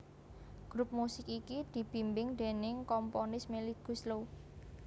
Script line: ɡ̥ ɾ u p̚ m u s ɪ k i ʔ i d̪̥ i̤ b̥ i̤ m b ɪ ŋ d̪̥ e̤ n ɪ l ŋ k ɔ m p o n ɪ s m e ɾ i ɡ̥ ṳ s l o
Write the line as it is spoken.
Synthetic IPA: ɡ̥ ɾ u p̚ m u s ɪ k i k i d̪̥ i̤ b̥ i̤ m b ɪ ŋ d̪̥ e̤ n ɪ ŋ k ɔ m p o n ɪ s m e l i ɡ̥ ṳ s l o

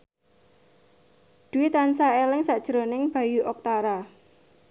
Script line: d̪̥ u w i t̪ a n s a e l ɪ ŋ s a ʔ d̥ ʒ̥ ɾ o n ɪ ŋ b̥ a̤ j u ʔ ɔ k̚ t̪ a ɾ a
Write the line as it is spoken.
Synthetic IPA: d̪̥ u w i t̪ a n s a e l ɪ ŋ s a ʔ d̥ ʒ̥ ɾ o n ɪ ŋ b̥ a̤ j u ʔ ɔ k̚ t̪ a ɾ a

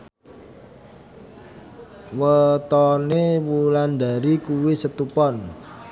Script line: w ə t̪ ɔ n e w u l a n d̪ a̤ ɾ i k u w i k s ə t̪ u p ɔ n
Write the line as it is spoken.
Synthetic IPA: w ə t̪ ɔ n e w u l a n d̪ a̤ ɾ i k u w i s ə t̪ u p ɔ n

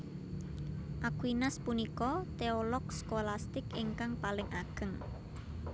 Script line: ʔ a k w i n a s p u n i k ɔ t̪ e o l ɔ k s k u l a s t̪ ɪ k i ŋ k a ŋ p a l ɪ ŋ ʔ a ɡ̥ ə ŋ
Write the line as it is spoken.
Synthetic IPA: ʔ a k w i n a s p u n i k ɔ t̪ e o l ɔ k s k o l a s t̪ ɪ k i ŋ k a ŋ p a l ɪ ŋ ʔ a ɡ̥ ə ŋ

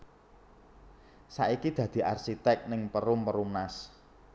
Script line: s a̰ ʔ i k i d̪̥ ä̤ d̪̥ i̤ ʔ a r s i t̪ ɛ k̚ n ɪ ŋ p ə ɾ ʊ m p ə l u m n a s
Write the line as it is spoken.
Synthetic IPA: s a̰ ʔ i k i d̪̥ ä̤ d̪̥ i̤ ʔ a r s i t̪ ɛ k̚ n ɪ ŋ p ə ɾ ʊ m p ə ɾ u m n a s

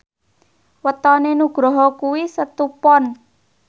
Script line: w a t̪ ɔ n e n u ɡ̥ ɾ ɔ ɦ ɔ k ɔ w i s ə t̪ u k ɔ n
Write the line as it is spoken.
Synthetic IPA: w ə t̪ ɔ n e n u ɡ̥ ɾ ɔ ɦ ɔ k u w i s ə t̪ u p ɔ n

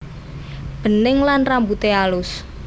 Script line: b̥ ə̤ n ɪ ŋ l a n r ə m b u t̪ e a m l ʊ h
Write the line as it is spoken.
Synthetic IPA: b̥ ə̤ n ɪ ŋ l a n r a m b u t̪ e a l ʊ s

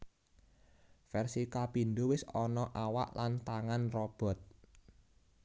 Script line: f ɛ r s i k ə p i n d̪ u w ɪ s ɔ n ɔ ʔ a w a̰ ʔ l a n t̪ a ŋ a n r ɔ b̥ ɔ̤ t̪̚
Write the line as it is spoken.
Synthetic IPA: f ɛ r s i k a p i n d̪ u w ɪ s ɔ n ɔ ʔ a w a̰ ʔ l a n t̪ a ŋ a n r ɔ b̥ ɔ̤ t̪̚

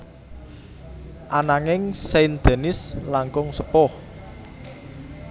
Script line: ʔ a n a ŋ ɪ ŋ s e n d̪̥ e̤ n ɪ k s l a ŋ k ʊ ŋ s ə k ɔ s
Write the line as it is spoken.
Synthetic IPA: ʔ a n a ŋ ɪ ŋ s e n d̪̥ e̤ n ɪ s l a ŋ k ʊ ŋ s ə p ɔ h

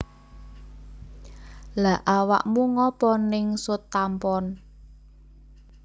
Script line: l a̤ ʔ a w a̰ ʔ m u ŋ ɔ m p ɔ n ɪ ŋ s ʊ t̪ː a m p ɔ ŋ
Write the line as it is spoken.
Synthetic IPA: l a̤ ʔ a w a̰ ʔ m u ŋ ɔ p ɔ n ɪ ŋ s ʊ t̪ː a m p ɔ n

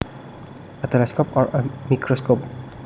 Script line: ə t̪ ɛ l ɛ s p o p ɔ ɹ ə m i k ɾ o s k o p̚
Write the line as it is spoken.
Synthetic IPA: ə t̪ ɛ l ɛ s k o p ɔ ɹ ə m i k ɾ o s k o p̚

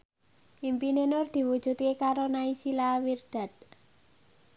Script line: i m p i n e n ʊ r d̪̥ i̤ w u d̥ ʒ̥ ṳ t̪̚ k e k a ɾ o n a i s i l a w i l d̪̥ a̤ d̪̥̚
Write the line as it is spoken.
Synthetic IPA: i m p i n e n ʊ r d̪̥ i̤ w u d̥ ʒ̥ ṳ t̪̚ k e k a ɾ o n a i s i l a w i r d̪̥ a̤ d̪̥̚

